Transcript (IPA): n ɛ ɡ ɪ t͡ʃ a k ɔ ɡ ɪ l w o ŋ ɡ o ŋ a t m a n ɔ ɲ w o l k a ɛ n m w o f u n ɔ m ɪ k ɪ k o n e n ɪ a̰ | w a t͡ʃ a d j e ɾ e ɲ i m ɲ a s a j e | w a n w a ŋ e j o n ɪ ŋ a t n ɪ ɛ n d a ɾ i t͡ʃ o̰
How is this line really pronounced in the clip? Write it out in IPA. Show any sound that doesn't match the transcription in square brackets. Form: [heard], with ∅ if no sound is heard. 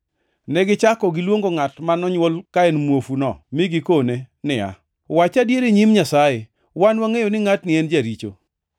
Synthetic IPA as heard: n ɛ ɡ ɪ t͡ʃ a k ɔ ɡ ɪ l w o ŋ ɡ o ŋ a t m a n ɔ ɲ w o l k a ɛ n m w o f u n ɔ m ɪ [ɡ] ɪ k o n e n ɪ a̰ | w a t͡ʃ a d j e ɾ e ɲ i m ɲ a s a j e | w a n w a ŋ e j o n ɪ ŋ a t n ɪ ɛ n [d͡ʒ] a ɾ i t͡ʃ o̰